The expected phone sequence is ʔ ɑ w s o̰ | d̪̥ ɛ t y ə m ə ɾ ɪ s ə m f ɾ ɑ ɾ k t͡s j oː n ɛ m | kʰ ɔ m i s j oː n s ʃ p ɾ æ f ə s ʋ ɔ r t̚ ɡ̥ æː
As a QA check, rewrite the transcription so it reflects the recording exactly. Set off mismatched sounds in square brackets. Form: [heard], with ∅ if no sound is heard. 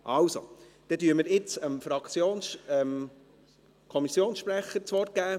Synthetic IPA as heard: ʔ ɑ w s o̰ | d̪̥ ɛ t y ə m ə ɾ ɪ [t͡s] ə m f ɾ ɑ [∅] k t͡s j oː n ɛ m | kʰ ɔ m i s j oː n s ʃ p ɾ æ [χ] ə [t͡s] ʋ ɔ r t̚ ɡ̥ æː

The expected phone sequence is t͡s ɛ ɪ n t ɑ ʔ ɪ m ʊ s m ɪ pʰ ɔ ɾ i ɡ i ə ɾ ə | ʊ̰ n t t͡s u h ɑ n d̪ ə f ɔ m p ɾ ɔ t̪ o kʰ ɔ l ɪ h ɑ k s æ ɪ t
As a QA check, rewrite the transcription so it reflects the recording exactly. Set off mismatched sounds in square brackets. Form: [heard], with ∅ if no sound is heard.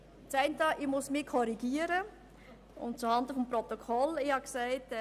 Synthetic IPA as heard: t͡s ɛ ɪ n t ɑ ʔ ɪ m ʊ s m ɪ [kʰ] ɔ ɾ i ɡ i ə ɾ ə | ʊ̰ n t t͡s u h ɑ n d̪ ə f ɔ m p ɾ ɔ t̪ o kʰ ɔ l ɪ h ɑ k s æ ɪ t

